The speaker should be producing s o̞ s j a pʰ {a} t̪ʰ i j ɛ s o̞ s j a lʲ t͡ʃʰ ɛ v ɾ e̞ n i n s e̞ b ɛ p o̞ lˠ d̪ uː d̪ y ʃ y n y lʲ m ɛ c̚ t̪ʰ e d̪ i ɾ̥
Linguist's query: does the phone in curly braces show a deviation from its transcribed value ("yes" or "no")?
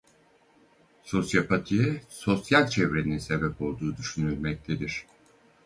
no